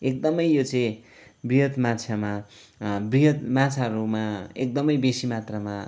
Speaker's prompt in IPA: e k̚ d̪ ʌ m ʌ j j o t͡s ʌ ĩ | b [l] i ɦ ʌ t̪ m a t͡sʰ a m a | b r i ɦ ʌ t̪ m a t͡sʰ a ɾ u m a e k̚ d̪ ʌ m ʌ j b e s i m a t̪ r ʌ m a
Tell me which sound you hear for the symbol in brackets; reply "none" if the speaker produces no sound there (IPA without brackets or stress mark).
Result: r